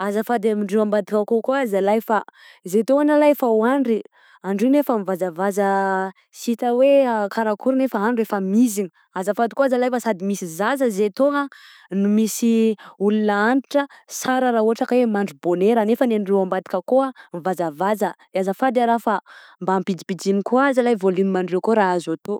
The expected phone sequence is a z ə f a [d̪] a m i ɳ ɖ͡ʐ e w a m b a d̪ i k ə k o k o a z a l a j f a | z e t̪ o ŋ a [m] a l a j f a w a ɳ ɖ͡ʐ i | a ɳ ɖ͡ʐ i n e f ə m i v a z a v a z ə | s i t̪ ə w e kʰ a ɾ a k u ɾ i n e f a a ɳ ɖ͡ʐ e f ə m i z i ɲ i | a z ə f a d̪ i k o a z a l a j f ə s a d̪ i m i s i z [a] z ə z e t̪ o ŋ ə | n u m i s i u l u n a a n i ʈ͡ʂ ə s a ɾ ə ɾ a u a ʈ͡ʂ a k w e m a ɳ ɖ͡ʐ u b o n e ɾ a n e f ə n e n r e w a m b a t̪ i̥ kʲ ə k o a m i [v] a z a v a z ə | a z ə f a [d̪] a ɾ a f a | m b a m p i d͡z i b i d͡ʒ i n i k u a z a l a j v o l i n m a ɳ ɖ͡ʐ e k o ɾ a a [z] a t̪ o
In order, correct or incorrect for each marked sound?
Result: correct, incorrect, correct, correct, correct, correct

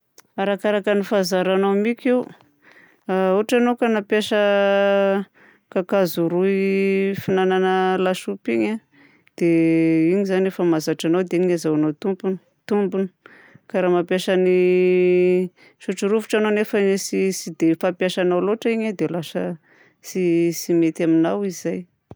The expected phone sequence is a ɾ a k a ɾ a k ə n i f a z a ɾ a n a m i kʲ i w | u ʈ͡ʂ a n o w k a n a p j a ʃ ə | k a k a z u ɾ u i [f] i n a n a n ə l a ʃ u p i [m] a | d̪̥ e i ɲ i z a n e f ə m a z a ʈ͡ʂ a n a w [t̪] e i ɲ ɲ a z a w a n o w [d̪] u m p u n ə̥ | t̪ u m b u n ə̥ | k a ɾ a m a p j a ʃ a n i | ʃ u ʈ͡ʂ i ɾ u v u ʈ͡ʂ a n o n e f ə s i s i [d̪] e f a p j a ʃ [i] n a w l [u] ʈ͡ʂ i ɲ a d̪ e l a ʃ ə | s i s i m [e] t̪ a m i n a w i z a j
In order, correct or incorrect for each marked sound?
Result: correct, incorrect, incorrect, incorrect, correct, incorrect, incorrect, correct

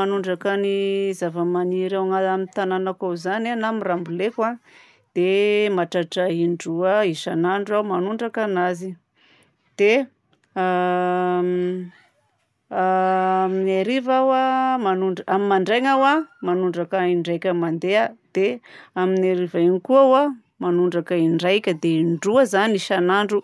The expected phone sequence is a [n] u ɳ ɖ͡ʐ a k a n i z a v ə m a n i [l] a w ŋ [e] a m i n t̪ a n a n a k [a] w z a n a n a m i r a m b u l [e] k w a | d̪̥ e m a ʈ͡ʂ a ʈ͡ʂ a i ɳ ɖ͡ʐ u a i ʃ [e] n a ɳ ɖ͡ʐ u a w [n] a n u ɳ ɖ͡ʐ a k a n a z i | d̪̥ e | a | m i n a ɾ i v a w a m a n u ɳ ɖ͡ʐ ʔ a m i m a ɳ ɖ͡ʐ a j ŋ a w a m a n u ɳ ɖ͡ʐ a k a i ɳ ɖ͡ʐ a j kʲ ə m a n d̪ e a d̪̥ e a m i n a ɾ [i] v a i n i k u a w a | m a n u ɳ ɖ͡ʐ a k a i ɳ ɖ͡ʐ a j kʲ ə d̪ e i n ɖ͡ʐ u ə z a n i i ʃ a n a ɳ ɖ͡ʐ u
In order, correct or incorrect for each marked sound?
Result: correct, incorrect, incorrect, correct, correct, incorrect, incorrect, correct

